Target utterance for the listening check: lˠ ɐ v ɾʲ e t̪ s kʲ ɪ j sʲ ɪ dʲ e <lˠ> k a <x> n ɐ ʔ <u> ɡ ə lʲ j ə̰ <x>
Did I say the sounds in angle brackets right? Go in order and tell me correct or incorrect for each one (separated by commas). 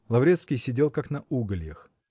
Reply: correct, incorrect, correct, correct